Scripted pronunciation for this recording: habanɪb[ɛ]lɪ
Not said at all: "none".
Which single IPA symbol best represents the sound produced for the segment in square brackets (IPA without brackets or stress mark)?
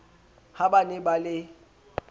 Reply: a